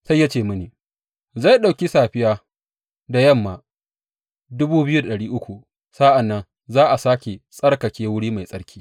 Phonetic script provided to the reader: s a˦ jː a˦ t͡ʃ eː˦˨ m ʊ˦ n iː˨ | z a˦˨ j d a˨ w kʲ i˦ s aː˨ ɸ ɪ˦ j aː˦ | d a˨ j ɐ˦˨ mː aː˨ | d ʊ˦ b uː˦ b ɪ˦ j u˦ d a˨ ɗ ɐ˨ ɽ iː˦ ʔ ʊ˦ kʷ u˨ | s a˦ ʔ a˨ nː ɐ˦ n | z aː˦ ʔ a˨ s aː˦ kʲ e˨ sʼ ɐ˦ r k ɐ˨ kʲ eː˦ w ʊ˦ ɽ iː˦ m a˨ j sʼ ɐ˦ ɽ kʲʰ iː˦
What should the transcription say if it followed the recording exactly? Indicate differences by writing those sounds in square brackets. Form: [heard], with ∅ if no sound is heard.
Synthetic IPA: s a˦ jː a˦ t͡ʃ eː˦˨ m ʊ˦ n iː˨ | z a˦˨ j [ɗ] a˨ w kʲ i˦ s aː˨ ɸ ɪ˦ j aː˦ | d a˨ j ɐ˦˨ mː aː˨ | d ʊ˦ b uː˦ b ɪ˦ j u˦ d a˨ ɗ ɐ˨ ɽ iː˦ ʔ ʊ˦ kʷ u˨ | s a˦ ʔ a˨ nː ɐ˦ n | z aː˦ ʔ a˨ s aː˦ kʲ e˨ sʼ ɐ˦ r k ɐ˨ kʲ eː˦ w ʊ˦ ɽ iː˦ m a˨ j sʼ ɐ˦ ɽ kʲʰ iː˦